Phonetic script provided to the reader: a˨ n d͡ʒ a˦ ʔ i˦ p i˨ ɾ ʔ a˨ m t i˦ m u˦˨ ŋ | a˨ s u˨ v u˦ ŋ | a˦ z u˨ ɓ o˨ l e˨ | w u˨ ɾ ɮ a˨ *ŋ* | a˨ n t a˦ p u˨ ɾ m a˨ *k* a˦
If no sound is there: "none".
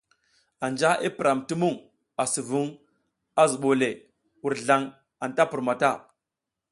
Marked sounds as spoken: ŋ, t

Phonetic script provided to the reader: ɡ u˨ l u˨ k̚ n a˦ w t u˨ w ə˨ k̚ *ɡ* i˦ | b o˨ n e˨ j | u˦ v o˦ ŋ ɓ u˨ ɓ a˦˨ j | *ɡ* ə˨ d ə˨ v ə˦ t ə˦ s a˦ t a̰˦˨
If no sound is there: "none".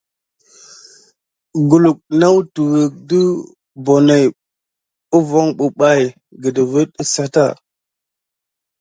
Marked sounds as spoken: d, ɡ

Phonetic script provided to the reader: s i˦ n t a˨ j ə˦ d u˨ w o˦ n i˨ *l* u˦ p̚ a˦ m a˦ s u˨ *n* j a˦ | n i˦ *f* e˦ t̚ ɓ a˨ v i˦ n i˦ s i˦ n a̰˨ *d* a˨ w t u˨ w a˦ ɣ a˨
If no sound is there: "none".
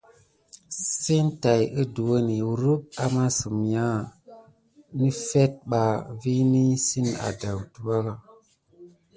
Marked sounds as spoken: ɾ, m, f, d

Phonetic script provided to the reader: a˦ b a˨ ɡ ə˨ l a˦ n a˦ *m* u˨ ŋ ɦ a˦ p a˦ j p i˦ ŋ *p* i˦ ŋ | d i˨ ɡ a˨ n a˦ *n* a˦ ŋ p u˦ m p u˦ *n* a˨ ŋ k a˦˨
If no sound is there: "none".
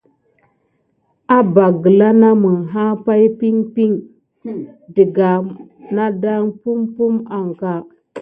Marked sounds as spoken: m, p, d, m

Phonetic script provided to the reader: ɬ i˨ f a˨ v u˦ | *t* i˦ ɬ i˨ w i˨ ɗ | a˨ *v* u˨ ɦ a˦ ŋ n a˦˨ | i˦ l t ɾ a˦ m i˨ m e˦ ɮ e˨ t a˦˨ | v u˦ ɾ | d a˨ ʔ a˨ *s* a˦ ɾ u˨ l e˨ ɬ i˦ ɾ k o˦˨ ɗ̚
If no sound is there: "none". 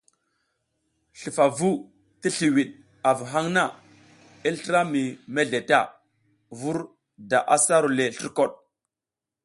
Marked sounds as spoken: t, v, s

